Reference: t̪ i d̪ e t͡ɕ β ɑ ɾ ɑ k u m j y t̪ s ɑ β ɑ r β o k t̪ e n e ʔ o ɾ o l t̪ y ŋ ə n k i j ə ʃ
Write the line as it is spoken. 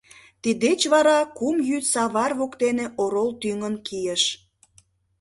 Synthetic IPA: t̪ i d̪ e t͡ɕ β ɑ ɾ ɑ k u m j y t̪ s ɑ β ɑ r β o k t̪ e n e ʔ o ɾ o l t̪ y ŋ ə n k i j ə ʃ